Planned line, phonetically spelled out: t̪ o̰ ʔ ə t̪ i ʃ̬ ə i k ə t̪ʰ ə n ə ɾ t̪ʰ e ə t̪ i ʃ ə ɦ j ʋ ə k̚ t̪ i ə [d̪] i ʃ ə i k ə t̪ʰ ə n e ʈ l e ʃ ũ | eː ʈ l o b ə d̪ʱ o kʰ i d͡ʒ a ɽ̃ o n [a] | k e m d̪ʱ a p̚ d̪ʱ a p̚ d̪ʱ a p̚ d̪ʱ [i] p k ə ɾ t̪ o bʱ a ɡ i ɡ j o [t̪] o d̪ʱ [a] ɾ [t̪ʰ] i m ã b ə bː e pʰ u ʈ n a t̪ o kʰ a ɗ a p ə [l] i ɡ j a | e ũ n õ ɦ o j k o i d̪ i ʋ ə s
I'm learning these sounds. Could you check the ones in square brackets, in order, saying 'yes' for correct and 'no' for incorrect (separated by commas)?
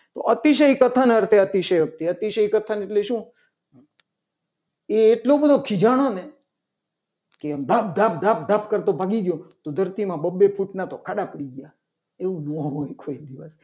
no, no, no, yes, no, no, no